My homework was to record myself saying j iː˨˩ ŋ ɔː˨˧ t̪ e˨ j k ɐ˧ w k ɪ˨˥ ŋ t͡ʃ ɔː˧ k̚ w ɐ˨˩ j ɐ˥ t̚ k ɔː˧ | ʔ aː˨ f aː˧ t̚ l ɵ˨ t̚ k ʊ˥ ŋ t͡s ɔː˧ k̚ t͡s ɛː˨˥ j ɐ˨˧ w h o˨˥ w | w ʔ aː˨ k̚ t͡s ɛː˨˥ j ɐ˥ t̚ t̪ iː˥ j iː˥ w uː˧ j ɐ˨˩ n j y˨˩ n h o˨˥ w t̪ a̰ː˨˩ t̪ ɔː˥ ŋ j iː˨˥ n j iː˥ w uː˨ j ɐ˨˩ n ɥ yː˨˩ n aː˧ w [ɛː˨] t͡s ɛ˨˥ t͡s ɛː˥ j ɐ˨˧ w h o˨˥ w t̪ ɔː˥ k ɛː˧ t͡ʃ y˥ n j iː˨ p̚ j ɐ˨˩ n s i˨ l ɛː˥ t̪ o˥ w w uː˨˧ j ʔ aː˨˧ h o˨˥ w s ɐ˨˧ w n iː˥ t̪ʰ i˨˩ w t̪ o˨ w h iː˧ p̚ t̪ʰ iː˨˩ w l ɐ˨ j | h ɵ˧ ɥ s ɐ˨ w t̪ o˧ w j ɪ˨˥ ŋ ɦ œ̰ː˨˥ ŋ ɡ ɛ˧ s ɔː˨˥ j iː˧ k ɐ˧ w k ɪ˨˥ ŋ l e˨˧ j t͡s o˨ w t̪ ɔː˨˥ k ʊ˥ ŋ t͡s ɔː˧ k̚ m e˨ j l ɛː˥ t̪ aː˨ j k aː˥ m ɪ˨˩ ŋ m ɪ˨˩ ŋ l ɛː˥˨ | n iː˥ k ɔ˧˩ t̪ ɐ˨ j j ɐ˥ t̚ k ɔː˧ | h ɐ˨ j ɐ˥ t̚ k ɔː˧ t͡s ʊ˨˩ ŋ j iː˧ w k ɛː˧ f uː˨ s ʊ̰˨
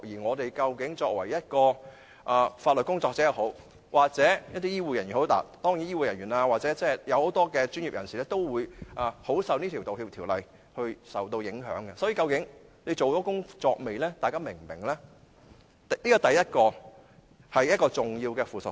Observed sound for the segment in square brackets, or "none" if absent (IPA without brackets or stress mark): aː˨